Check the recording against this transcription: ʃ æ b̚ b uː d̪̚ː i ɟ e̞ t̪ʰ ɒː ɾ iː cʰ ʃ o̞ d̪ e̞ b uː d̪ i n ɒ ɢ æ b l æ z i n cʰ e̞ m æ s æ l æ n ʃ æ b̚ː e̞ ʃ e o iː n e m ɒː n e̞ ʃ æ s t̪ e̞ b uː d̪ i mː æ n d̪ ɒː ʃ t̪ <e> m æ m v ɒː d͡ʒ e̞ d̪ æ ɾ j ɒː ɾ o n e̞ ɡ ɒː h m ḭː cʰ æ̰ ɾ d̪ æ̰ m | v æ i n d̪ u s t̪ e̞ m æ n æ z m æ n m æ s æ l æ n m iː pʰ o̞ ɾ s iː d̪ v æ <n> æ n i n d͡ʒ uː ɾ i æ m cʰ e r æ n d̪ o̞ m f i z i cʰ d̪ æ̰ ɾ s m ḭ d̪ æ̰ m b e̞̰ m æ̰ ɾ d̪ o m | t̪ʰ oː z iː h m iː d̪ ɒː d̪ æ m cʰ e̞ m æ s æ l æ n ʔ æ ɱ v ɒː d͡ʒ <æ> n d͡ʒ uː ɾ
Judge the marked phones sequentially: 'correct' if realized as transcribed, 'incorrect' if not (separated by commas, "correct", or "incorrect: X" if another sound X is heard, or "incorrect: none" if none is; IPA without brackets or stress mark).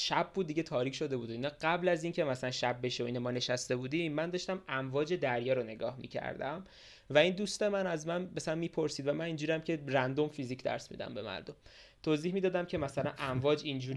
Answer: incorrect: æ, incorrect: m, incorrect: i